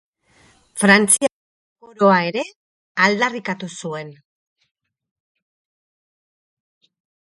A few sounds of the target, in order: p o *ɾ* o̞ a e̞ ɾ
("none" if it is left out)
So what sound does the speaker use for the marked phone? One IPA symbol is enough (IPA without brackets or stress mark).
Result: ɾ